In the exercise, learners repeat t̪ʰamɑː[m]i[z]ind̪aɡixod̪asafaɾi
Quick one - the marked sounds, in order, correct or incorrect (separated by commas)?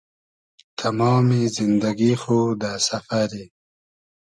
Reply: correct, correct